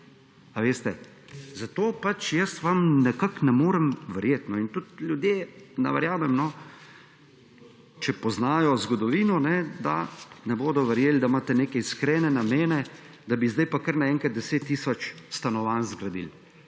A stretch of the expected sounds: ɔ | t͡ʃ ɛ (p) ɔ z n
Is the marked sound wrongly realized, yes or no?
no